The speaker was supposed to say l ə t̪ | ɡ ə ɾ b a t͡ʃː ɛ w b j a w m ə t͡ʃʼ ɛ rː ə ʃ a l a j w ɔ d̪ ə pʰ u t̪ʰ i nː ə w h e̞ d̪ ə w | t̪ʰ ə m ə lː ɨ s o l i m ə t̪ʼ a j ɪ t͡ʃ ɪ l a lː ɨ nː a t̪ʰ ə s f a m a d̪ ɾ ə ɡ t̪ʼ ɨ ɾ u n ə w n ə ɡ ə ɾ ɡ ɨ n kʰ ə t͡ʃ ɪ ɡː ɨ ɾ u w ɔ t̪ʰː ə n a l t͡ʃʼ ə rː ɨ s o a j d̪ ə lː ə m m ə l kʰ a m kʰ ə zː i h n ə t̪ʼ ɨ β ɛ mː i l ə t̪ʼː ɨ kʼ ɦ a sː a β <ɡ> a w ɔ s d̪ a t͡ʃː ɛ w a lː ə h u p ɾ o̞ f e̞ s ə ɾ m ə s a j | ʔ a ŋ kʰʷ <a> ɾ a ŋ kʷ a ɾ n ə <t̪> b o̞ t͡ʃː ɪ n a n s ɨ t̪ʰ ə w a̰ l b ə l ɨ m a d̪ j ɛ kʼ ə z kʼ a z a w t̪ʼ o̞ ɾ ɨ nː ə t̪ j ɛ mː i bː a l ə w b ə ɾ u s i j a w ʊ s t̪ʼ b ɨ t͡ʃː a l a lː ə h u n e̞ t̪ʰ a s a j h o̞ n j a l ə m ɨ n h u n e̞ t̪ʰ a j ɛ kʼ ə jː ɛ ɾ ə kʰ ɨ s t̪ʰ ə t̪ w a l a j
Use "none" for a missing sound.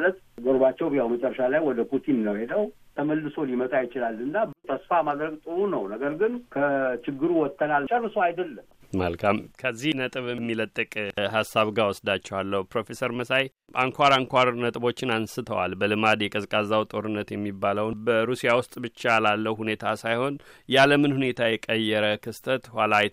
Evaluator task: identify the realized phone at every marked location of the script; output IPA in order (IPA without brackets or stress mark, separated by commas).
ɡ, a, t̪ʼ